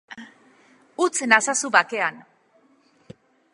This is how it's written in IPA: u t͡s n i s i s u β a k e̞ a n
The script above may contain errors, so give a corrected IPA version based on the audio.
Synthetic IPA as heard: u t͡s n a s a s u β a k e̞ a n